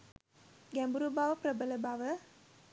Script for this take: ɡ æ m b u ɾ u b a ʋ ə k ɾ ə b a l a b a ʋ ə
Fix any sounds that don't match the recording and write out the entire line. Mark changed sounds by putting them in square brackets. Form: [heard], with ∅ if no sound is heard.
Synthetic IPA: ɡ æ m b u ɾ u b a ʋ ə [p] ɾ ə b [ə] l [ə] b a ʋ ə